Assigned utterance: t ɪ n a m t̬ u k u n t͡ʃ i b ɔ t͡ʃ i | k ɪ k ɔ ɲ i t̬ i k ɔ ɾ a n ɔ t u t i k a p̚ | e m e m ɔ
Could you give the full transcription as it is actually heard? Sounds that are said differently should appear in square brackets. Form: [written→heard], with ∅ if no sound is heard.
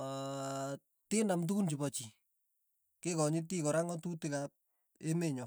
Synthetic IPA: t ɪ n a m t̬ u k u n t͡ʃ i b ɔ t͡ʃ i | k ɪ k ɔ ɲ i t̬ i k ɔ ɾ a [n→ŋ] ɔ t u t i k a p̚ | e m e [m→ɲ] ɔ

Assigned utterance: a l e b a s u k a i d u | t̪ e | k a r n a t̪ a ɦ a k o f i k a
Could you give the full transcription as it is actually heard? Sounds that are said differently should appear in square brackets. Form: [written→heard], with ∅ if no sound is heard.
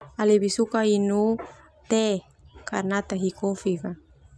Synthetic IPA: a l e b [a→i] s u k a i [d→n] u | t̪ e | k a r n a t̪ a ɦ [a→i] k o f i k a

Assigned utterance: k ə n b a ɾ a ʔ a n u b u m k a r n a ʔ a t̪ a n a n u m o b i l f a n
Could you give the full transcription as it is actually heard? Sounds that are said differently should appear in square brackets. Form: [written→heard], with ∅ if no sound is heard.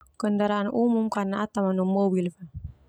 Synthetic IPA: k ə n [b→d] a ɾ a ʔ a n u [b→m] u m k a r n a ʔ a t̪ a [n→m] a n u m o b i l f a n

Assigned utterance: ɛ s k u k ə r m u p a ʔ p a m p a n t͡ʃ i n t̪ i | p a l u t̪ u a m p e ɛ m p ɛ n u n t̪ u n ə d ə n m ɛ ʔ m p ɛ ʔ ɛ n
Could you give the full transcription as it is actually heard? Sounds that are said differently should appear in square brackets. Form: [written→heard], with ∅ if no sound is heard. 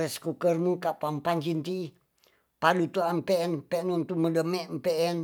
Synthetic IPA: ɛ s k u k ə r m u [p→k] a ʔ p a m p a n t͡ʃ i n t̪ i | p a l u t̪ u a m p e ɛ [m→n] p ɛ n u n t̪ u [n→m] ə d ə [n→∅] m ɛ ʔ m p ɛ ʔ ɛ n

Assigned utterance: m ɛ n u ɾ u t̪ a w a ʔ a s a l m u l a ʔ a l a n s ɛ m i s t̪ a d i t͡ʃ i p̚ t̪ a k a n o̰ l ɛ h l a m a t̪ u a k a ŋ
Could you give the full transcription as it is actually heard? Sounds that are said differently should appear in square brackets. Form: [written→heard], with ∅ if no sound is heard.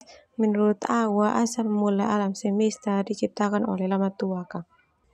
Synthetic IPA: m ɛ n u ɾ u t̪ a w a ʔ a s a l m u l a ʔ a l a [n→m] s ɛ m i s t̪ a d i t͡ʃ i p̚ t̪ a k a n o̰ l ɛ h l a m a t̪ u a k a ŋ

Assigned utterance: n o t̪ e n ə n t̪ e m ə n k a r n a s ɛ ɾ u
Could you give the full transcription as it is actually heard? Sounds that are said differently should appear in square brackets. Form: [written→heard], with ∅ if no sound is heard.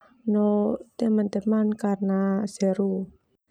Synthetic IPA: n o t̪ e [n→m] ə n t̪ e m [ə→a] n k a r n a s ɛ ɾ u

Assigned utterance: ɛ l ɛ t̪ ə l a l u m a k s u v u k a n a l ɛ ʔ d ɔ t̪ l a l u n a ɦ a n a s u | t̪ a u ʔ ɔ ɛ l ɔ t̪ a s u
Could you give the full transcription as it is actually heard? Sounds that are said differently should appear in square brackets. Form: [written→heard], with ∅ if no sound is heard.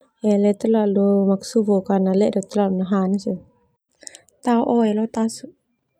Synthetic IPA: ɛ l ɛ t̪ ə l a l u m a k s u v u k a n a l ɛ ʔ d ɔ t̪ l a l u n a ɦ a n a s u | t̪ a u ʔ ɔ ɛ l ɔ t̪ a s u

